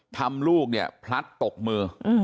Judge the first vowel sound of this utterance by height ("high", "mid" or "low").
low